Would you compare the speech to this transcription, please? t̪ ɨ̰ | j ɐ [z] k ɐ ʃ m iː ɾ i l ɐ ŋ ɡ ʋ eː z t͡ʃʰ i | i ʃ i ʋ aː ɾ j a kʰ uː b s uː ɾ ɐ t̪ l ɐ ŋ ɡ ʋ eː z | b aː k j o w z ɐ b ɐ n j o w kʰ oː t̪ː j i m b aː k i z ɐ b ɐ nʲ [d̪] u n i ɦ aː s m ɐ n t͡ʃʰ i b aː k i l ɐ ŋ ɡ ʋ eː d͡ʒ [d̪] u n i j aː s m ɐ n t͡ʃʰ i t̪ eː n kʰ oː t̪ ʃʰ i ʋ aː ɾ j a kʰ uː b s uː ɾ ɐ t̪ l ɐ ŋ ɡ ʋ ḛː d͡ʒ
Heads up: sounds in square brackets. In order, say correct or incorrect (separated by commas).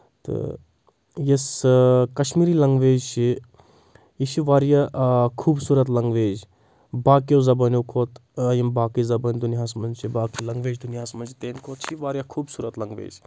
incorrect, correct, correct